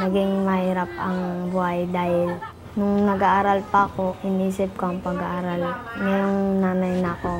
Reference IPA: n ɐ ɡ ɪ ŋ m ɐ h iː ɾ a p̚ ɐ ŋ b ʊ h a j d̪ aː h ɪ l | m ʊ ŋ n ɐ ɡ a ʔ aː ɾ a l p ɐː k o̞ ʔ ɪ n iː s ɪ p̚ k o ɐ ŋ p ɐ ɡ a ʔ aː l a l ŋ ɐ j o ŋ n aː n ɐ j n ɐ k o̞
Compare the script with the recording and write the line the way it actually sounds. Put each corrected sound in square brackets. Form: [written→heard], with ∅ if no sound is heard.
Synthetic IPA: n ɐ ɡ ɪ ŋ m ɐ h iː ɾ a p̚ ɐ ŋ b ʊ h a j d̪ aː h ɪ l | [m→n] ʊ ŋ n ɐ ɡ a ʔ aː ɾ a l p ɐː k o̞ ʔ ɪ n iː s ɪ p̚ k o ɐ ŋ p ɐ ɡ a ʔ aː [l→ɾ] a l ŋ ɐ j o ŋ n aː n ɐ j n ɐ k o̞